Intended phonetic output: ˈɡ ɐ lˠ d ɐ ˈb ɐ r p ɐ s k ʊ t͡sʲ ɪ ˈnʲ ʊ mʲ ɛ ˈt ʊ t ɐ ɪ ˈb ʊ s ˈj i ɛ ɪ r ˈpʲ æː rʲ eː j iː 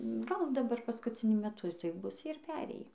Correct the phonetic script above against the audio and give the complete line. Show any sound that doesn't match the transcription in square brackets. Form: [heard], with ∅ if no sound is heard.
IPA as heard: ˈɡ ɐ lˠ d ɐ ˈb ɐ r p ɐ s k ʊ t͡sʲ ɪ ˈnʲ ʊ mʲ ɛ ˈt ʊ t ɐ ɪ ˈb ʊ s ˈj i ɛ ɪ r ˈpʲ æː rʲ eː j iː

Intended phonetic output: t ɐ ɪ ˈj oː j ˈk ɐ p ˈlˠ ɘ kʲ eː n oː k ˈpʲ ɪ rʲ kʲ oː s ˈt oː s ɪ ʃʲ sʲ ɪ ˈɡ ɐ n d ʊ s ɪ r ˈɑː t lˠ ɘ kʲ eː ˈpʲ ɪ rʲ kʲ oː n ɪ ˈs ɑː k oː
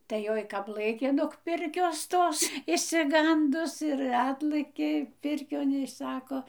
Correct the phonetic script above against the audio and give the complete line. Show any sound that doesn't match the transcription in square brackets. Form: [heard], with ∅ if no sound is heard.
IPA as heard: t ɐ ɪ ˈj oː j ˈk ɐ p ˈlˠ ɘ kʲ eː n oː k ˈpʲ ɪ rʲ kʲ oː s ˈt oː s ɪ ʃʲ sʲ ɪ ˈɡ ɐ n d ʊ s ɪ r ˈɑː t lˠ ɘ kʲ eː ˈpʲ ɪ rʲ kʲ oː n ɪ ˈs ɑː k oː

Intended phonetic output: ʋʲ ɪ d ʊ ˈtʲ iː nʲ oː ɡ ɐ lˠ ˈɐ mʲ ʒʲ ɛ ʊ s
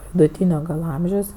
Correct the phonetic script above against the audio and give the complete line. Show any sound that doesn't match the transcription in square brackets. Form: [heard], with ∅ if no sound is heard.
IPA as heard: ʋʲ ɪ d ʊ ˈtʲ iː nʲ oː ɡ ɐ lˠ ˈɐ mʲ ʒʲ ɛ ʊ s

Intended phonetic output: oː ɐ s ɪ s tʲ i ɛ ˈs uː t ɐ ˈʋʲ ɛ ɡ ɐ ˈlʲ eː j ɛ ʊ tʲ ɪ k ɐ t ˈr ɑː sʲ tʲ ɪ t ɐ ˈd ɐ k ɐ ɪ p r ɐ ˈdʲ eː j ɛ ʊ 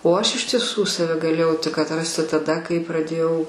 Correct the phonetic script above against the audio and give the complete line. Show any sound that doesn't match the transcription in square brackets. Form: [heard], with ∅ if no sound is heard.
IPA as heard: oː ɐ [ʃ] ɪ [ʃ] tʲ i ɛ ˈs uː [s] ɐ ˈʋʲ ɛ ɡ ɐ ˈlʲ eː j ɛ ʊ tʲ ɪ k ɐ t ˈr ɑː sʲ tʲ ɪ t ɐ ˈd ɐ k ɐ ɪ p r ɐ ˈdʲ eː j ɛ ʊ

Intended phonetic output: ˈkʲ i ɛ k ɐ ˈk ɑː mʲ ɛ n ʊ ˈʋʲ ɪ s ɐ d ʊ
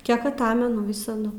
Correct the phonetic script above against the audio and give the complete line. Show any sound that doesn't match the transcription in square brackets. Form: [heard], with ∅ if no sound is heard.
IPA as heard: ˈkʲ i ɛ k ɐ [ˈt] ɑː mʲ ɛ n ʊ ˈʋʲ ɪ s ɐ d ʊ

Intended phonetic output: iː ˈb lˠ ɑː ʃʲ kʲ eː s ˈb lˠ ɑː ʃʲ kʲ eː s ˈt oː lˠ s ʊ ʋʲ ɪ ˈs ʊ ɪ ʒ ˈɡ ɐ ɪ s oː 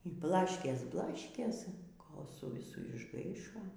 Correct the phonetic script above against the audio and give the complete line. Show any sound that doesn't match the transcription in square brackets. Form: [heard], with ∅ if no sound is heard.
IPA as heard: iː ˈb lˠ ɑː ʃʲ kʲ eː s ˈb lˠ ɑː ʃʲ kʲ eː s [ˈk] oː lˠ s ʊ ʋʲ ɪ ˈs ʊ ɪ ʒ ˈɡ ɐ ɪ [ʃ] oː

